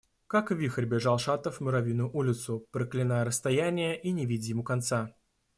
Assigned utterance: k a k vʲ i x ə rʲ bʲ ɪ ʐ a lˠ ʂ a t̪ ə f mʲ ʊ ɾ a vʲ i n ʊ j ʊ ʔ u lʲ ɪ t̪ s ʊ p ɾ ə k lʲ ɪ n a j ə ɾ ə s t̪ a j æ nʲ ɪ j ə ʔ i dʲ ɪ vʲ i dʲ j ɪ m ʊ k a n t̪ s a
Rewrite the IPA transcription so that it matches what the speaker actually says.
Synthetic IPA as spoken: k a k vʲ i x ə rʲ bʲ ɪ ʐ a lˠ ʂ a t̪ ə f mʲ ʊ ɾ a vʲ i n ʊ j ʊ ʔ u lʲ ɪ t̪ s ʊ p ɾ ə k lʲ ɪ n a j ə ɾ ə s t̪ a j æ nʲ ɪ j ə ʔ i nʲ ɪ vʲ i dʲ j ɪ m u k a n t̪ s a

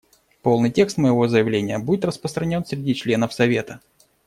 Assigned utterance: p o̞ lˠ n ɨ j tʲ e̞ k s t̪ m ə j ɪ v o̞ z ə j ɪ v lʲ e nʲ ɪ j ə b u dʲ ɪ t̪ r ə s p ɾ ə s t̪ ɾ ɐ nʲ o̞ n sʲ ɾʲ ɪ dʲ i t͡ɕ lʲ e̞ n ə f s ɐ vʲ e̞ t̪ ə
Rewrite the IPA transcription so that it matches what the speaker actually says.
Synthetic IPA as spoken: p o̞ lˠ n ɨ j tʲ e̞ k s t̪ m ə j ɪ v o̞ z ə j ɪ v lʲ e nʲ ɪ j ə b u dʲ ɪ t̪ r ə s p ɾ ə s t̪ ɾ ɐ nʲ o̞ n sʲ ɾʲ ɪ dʲ i t͡ɕ lʲ e̞ n ə f s ɐ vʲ e̞ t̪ ə

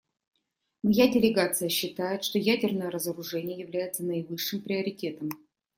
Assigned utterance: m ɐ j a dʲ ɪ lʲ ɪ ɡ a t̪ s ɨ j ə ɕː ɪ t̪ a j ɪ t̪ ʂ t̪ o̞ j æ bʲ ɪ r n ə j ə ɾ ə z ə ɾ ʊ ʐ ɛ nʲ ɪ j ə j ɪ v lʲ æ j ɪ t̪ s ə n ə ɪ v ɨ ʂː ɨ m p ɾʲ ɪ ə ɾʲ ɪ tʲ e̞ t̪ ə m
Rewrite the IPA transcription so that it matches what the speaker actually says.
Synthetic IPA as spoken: m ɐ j a dʲ ɪ lʲ ɪ ɡ a t̪ s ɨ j ə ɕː ɪ t̪ a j ɪ t̪ ʂ t̪ o̞ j æ dʲ ɪ r n ə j ə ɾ ə z ə ɾ ʊ ʐ ɛ nʲ ɪ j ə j ɪ v lʲ æ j ɪ t̪ s ə n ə ɪ v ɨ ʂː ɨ m p ɾʲ ɪ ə ɾʲ ɪ tʲ e̞ t̪ ə m

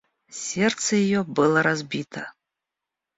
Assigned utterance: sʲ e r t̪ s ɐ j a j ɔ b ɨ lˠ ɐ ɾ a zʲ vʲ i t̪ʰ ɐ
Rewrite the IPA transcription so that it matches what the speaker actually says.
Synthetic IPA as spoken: sʲ ɛ r t̪ s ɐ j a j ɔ b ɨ lˠ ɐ ɾ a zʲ bʲ i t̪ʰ ɐ

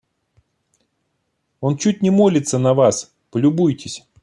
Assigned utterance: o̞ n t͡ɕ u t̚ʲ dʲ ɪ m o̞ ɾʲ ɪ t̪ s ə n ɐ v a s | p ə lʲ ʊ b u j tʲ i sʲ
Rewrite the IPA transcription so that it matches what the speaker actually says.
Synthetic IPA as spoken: o̞ n t͡ɕ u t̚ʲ nʲ ɪ m o̞ lʲ ɪ t̪ s ə n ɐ v a s | p ə lʲ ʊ b u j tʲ ɪ sʲ

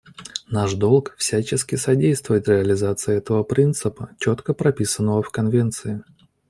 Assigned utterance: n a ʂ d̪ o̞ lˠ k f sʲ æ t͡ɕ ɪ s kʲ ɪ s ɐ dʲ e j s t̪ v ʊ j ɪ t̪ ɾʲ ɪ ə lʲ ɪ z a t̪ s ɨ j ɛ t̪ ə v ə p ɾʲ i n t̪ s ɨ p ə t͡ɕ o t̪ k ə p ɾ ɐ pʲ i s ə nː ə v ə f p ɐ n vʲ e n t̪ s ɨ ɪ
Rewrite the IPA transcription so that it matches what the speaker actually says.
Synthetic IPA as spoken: n a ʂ d̪ o̞ lˠ k f sʲ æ t͡ɕ ɪ s kʲ ɪ s ɐ dʲ e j s t̪ v ʊ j ɪ t̪ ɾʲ ɪ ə lʲ ɪ z a t̪ s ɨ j ɛ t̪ ə v ə p ɾʲ i n t̪ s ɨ p ə t͡ɕ o t̪ k ə p ɾ ɐ pʲ i s ə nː ə v ə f k ɐ n vʲ e n t̪ s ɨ ɪ

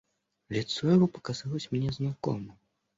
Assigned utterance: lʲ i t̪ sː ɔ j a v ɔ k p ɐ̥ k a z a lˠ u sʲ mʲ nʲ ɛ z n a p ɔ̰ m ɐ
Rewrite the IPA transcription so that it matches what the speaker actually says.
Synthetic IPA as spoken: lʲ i t̪ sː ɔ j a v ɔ p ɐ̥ k a z a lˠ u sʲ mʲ nʲ ɛ z n a k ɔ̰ m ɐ

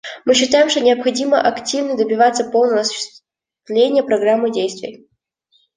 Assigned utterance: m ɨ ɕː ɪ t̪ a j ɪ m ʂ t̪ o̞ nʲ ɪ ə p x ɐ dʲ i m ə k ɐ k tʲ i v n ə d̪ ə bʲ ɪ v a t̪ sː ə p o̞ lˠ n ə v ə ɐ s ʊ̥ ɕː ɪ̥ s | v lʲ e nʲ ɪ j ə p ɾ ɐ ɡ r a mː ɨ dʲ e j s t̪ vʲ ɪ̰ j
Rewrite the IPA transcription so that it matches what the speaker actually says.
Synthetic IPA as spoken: m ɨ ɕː ɪ t̪ a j ɪ m ʂ t̪ o̞ nʲ ɪ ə p x ɐ dʲ i m ə ʔ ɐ k tʲ i v n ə d̪ ə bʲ ɪ v a t̪ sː ə p o̞ lˠ n ə v ə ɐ s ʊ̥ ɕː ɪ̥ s | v lʲ e nʲ ɪ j ə p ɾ ɐ ɡ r a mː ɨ dʲ e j s t̪ vʲ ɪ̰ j

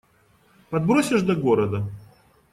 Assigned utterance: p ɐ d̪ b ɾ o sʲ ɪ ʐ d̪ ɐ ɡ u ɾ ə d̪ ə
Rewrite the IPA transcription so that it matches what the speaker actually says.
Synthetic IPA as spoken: p ɐ d̪ b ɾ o sʲ ɪ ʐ d̪ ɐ ɡ o ɾ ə d̪ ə

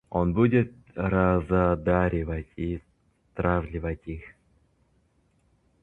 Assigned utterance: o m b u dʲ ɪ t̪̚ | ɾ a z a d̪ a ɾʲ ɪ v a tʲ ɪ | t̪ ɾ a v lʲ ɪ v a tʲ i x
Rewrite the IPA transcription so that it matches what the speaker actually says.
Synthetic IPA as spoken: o n b u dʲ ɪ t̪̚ | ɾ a z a d̪ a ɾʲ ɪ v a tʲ i | t̪ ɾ a v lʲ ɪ v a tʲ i x

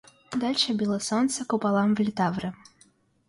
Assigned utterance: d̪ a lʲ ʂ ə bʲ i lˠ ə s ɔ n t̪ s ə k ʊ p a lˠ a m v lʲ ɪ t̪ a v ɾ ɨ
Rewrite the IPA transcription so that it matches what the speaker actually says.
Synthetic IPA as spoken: d̪ a lʲ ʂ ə bʲ i lˠ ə s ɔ n t̪ s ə k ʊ p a lˠ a m v lʲ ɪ t̪ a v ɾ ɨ

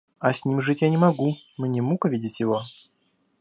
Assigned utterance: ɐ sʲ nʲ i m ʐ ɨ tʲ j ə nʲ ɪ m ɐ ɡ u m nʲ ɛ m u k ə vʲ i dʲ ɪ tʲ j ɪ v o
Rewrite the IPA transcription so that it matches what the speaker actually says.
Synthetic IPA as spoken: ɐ sʲ nʲ i m ʐ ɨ tʲ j a nʲ ɪ m ɐ ɡ u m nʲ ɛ m u k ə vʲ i dʲ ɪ tʲ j ɪ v o

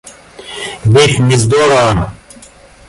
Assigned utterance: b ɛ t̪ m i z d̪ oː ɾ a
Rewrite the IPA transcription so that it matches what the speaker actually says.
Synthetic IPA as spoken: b i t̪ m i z d̪ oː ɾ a

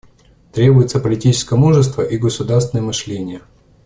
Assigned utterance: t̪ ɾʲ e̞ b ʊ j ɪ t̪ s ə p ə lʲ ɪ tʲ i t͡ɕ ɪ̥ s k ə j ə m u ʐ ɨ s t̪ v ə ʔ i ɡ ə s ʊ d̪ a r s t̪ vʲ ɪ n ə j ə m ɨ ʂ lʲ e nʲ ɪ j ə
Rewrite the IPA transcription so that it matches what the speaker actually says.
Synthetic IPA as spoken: t̪ ɾʲ e̞ b ʊ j ɪ t̪ s ə p ə lʲ ɪ tʲ i t͡ɕ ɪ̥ s k ə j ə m u ʐ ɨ s t̪ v ə ʔ i ɡ ə s ʊ d̪ a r s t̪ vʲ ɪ n ə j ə m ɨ ʂ lʲ e nʲ ɪ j ə

